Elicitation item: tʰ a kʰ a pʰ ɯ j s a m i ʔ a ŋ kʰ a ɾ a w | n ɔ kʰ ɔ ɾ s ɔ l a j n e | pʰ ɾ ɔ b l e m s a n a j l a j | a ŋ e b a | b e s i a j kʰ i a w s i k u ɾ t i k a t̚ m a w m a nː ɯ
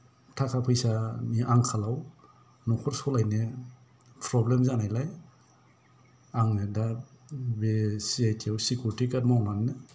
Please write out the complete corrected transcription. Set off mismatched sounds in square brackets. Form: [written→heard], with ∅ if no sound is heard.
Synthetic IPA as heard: tʰ a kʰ a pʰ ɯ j s a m i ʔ a ŋ kʰ a [ɾ→l] a w | n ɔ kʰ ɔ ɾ s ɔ l a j n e | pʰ ɾ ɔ b l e m [s→z] a n a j l a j | a ŋ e [b→d] a | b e s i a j [kʰ→tʰ] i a w s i k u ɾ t i k a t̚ m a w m a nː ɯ